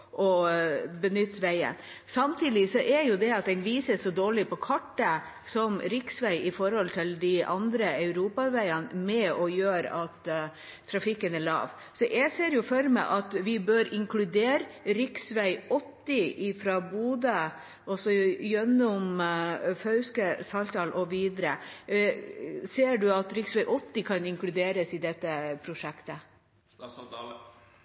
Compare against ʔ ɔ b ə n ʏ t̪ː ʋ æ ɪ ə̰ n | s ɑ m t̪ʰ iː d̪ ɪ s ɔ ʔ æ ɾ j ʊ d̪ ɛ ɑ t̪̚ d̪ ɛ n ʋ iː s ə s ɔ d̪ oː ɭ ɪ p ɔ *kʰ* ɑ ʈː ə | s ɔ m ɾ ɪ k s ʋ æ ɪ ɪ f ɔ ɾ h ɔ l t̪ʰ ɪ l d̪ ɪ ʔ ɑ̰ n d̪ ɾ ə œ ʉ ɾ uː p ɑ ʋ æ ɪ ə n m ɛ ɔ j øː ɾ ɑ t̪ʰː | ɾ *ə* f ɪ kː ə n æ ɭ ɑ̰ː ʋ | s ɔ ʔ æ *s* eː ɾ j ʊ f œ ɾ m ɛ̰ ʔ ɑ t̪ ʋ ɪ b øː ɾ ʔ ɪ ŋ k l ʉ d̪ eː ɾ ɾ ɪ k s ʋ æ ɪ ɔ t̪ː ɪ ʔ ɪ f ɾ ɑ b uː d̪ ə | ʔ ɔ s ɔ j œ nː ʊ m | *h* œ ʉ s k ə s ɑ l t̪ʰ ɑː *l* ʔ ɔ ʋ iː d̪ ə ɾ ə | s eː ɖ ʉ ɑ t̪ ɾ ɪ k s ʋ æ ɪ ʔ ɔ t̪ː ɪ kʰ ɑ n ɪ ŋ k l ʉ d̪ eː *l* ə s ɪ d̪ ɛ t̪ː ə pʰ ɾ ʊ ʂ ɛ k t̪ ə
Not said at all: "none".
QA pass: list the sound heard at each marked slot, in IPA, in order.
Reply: kʰ, ɑ, s, f, l, ɾ

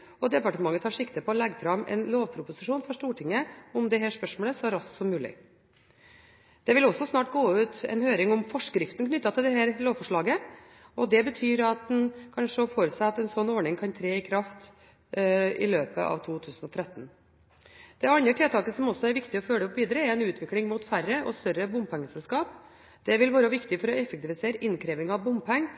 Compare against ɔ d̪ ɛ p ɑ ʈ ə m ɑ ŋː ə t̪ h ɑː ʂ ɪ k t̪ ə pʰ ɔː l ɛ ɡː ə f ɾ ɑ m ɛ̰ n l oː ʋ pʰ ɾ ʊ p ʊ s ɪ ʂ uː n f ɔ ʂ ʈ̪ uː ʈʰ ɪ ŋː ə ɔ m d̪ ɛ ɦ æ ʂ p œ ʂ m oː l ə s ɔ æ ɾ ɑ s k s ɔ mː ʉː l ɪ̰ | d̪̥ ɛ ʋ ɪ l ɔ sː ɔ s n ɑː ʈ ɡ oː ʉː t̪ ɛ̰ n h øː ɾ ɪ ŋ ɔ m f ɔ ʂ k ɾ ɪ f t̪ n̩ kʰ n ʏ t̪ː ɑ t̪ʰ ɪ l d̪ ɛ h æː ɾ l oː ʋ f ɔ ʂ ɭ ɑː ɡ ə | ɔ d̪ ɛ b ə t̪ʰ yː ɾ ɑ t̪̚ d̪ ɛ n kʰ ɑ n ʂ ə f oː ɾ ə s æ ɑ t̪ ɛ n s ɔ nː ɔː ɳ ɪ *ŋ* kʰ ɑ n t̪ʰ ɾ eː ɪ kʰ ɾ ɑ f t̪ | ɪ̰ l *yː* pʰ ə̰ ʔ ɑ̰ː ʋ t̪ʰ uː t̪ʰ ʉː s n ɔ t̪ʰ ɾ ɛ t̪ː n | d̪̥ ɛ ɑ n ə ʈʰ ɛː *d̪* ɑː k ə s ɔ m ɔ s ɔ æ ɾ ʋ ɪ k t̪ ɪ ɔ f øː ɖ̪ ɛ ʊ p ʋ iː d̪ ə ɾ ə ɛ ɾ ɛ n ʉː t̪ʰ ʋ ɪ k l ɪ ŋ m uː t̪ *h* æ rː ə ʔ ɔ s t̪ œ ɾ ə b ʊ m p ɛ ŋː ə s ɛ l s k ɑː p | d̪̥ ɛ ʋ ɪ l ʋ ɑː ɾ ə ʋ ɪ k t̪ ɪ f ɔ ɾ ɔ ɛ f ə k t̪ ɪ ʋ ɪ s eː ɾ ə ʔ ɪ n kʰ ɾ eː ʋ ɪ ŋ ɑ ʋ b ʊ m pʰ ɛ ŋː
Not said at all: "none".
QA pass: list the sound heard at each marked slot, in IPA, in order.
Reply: ŋ, øː, t̪, f

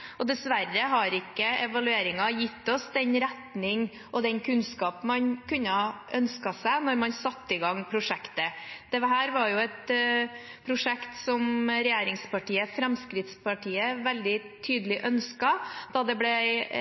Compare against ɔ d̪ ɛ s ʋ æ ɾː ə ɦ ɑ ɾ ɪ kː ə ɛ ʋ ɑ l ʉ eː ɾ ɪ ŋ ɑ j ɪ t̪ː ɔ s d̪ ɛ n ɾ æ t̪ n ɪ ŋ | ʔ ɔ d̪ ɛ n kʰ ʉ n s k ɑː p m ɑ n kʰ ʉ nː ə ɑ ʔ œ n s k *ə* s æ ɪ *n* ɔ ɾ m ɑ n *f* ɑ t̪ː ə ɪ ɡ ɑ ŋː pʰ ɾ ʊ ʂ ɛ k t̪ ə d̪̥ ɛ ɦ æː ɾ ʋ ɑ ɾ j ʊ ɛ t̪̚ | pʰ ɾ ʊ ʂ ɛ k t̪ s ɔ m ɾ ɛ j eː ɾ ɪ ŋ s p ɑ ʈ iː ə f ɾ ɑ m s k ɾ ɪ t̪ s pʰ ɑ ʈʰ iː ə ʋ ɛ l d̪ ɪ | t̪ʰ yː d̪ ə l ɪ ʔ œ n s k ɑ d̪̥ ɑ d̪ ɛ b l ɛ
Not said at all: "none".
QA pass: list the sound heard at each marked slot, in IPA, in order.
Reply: ɑ, n, s

